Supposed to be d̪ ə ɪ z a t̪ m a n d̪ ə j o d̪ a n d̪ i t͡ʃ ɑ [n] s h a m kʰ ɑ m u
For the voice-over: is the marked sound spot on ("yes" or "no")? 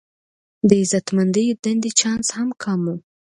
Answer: yes